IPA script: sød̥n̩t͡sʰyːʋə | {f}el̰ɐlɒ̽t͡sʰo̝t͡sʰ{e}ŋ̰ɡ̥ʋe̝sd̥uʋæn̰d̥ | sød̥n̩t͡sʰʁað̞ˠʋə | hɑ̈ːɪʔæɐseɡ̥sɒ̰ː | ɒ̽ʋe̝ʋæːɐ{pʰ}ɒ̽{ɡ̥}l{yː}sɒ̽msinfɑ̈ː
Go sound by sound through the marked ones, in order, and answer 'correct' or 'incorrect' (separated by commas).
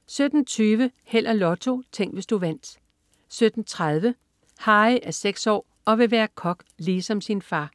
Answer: incorrect, correct, incorrect, correct, incorrect